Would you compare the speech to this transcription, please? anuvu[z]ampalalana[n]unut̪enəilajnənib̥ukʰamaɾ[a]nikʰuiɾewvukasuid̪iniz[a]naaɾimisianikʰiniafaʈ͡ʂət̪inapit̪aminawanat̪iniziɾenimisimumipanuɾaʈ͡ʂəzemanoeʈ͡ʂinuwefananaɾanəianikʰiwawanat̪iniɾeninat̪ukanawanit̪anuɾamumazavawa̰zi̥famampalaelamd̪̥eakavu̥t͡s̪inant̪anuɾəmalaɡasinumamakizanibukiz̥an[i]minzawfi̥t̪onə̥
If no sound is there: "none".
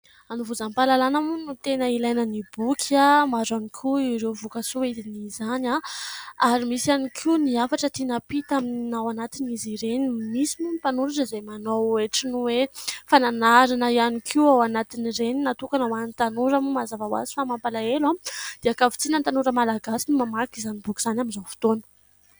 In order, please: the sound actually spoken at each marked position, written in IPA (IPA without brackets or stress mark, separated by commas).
z, m, a, a, a